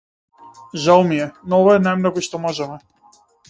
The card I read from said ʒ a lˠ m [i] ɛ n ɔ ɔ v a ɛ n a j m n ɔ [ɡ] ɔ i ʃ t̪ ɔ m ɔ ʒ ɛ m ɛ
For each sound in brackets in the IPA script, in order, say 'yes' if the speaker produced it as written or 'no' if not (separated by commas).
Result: yes, yes